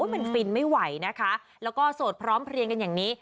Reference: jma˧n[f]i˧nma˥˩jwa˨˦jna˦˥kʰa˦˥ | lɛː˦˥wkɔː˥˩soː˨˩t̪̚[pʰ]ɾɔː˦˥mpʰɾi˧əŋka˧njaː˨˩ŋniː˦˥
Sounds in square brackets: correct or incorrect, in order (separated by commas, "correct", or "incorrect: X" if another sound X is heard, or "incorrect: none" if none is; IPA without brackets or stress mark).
correct, correct